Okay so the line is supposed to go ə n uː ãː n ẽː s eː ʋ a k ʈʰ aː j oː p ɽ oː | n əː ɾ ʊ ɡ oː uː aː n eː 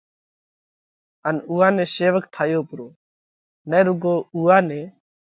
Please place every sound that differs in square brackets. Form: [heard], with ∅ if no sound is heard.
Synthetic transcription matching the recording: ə n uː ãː n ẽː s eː ʋ [ə] k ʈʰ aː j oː p [ɾ] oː | n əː ɾ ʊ ɡ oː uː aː n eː